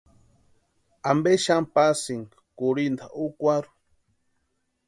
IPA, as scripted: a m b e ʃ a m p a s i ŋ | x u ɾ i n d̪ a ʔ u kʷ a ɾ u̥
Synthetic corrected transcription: a m b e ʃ a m p a s i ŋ | k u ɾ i n d̪ a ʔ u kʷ a ɾ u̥